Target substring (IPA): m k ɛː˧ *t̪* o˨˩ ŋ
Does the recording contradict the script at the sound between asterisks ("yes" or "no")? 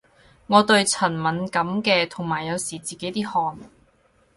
yes